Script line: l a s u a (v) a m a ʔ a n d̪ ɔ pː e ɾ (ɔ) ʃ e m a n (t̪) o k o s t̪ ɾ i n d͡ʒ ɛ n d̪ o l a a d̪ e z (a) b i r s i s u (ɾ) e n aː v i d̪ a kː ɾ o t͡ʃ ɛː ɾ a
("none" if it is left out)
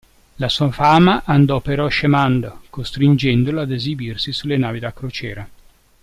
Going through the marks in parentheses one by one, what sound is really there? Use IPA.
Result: f, ɔ, d̪, i, l

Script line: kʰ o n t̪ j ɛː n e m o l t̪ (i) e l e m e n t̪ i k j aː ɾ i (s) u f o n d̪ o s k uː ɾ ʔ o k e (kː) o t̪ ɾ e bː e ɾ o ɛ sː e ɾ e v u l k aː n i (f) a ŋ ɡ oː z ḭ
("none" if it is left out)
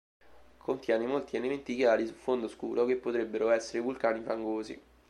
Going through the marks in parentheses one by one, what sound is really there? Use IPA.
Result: i, s, pː, f

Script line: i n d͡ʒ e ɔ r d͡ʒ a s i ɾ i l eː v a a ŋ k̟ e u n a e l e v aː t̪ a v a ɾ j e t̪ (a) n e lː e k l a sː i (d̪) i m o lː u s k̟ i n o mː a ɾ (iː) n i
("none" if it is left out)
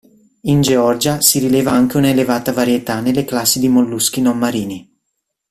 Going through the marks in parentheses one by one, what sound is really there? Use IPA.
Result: a, d̪, iː

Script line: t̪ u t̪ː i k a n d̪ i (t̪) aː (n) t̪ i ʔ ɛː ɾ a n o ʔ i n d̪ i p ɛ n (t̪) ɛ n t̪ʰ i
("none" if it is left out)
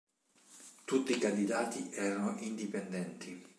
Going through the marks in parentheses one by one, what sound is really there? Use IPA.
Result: d̪, none, d̪

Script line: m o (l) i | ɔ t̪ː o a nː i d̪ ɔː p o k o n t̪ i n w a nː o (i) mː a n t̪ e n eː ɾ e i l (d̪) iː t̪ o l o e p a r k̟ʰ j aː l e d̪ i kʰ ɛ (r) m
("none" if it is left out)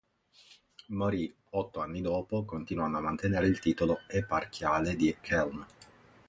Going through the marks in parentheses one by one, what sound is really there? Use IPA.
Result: ɾ, a, t̪, l

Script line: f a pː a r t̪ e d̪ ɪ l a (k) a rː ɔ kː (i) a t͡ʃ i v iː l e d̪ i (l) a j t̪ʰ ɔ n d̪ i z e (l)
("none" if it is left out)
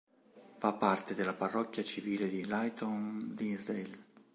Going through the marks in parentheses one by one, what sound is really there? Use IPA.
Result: p, j, l, l

